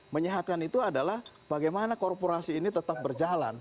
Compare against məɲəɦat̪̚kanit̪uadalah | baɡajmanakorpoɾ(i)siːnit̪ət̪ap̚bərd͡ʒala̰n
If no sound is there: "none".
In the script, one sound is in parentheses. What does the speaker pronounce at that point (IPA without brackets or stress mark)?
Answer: a